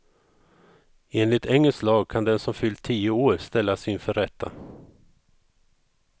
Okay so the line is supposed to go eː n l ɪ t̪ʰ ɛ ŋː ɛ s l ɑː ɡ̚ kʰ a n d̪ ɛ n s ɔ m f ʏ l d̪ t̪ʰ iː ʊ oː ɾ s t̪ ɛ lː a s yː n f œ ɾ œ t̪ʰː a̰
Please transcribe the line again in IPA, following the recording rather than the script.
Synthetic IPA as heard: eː n l ɪ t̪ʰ ɛ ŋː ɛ s l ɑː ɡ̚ kʰ a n d̪ ɛ n s ɔ m f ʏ l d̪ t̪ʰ iː ʊ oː ɾ s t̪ ɛ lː a s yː n f œ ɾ ɛ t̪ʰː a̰